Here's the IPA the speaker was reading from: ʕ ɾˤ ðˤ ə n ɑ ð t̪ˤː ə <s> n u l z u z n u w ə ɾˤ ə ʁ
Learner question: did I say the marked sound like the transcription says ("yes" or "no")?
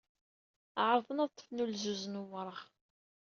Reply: no